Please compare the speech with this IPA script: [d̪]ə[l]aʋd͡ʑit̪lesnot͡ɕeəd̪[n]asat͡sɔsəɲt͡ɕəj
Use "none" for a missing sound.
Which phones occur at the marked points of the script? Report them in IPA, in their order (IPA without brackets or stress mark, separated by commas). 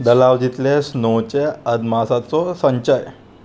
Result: d̪, l, m